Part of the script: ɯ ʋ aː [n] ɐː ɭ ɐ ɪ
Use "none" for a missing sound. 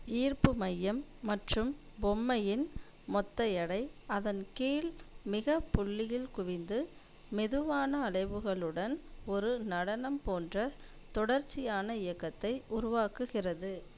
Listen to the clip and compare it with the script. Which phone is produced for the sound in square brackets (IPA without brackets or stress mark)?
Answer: n